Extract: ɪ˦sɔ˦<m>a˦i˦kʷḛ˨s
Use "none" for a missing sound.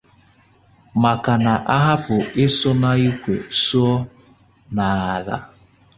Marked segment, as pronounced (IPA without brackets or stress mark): n